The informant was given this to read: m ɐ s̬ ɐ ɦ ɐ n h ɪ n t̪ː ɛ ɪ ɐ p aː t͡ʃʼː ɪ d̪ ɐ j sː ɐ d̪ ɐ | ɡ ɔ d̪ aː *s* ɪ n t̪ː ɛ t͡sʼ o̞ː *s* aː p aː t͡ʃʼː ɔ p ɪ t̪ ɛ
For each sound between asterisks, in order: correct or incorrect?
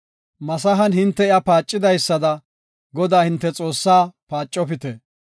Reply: incorrect, incorrect

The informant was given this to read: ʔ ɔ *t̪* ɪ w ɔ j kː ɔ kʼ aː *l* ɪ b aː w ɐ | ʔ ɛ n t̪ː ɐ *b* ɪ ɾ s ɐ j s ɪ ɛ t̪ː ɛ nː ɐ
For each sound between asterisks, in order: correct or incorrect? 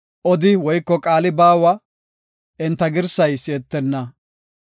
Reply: incorrect, correct, incorrect

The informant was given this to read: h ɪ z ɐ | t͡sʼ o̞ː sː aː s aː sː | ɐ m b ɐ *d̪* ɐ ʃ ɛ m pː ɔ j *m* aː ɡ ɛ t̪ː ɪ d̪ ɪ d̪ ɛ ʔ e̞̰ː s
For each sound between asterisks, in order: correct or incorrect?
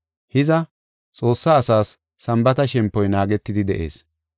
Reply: incorrect, incorrect

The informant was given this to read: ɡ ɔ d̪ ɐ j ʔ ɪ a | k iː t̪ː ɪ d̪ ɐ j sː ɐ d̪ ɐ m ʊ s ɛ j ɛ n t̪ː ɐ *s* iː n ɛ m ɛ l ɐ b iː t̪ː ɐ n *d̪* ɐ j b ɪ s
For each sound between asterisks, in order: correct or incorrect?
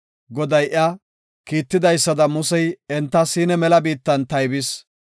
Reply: correct, incorrect

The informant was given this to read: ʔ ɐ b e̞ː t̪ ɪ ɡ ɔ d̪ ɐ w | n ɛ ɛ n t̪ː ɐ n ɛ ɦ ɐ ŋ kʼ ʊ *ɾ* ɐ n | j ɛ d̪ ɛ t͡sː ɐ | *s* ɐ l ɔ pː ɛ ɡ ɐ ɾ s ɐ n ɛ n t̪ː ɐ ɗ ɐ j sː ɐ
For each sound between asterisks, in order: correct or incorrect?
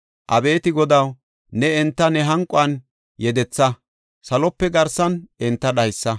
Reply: incorrect, correct

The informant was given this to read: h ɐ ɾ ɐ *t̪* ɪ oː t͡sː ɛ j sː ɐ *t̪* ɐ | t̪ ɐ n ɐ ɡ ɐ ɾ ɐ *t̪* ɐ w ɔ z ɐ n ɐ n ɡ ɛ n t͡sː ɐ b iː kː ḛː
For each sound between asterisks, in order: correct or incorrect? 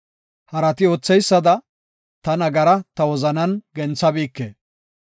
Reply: correct, incorrect, correct

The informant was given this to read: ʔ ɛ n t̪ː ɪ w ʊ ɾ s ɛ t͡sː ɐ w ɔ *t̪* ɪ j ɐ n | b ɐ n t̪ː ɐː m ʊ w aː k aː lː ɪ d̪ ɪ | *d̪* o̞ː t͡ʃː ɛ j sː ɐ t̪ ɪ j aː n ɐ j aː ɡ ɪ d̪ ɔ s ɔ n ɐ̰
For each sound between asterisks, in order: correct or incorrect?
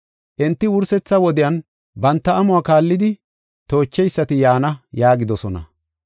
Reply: incorrect, incorrect

